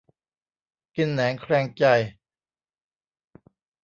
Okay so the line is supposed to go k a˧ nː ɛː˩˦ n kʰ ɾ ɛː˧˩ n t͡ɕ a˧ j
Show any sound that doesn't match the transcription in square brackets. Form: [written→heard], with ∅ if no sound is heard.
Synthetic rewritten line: k [a˧→i˧] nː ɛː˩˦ [n→ŋ] kʰ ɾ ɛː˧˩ [n→ŋ] t͡ɕ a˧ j